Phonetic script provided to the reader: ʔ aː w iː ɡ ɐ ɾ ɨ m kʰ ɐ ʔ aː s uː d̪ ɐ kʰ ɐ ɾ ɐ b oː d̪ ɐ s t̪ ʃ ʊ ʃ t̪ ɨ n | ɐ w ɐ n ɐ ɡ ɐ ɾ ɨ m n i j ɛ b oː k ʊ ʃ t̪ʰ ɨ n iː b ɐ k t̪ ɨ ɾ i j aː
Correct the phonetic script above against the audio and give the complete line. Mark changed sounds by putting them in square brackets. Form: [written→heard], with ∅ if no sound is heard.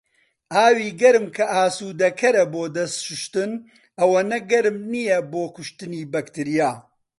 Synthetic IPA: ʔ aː w iː ɡ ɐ ɾ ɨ m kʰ ɐ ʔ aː s uː d̪ ɐ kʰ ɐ ɾ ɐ b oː d̪ ɐ s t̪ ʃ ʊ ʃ t̪ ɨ n | ɐ w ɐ n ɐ ɡ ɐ ɾ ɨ m n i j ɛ b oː k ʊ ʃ [t̪ʰ→t̪] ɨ n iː b ɐ k t̪ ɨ ɾ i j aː